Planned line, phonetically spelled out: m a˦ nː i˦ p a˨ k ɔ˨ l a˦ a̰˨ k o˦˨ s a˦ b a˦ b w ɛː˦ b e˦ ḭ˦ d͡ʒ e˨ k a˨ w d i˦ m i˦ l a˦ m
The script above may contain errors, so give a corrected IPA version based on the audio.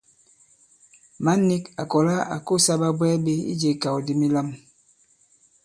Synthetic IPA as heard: m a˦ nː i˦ k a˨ k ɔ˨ l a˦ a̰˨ k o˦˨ s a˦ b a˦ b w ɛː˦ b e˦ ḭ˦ d͡ʒ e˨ k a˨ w d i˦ m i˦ l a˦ m